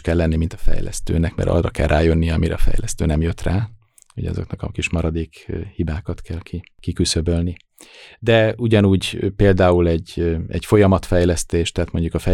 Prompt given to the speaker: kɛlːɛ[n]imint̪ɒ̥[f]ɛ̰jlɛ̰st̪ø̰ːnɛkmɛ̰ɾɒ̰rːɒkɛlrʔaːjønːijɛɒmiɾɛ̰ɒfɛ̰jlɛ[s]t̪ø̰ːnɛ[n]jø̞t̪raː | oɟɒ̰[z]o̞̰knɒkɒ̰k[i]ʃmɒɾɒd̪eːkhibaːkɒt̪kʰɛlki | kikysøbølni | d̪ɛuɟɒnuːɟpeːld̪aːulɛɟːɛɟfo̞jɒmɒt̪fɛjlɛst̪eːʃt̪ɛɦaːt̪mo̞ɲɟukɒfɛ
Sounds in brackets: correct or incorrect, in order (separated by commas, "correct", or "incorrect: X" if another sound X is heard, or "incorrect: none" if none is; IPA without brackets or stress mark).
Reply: incorrect: nː, correct, correct, incorrect: m, correct, correct